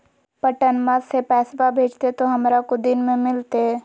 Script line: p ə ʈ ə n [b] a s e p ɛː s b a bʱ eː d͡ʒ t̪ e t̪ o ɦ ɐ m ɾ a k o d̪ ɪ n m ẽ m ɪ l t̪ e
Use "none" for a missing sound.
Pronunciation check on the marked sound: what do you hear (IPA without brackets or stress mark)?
m